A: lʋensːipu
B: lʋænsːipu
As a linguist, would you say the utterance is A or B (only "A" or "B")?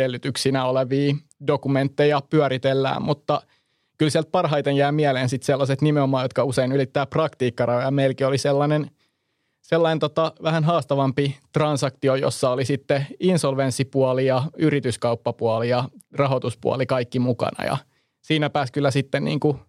A